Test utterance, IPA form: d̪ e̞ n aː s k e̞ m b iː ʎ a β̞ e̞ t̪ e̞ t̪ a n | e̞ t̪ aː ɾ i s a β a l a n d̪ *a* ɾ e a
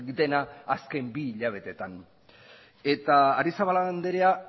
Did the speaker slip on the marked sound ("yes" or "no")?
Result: yes